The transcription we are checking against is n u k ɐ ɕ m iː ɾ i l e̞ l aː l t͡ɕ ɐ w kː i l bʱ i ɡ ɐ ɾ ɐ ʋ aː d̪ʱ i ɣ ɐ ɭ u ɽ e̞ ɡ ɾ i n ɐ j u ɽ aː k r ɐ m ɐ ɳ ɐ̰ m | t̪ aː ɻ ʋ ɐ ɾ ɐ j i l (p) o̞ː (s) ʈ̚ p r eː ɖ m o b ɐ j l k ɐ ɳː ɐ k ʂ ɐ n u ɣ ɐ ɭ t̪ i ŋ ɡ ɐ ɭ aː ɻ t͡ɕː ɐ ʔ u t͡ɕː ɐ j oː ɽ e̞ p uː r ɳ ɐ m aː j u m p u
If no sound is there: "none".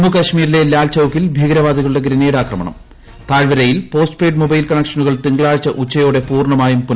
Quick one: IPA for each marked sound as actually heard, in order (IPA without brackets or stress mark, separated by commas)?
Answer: p, s